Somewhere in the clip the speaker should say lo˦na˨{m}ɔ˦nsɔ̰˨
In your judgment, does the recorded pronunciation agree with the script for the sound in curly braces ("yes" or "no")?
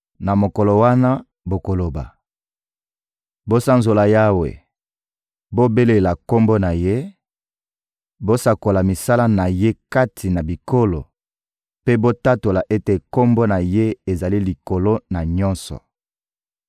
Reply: no